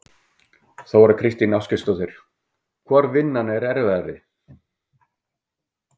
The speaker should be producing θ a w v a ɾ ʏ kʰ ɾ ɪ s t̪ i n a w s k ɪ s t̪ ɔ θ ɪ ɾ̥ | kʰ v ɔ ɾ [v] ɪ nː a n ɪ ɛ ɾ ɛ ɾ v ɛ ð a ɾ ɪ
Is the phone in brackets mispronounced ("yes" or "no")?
no